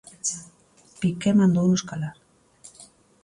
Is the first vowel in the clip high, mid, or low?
high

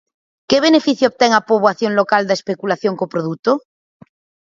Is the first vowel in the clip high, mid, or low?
mid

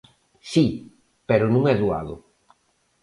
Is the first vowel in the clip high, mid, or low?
high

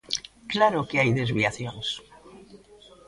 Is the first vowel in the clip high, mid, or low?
low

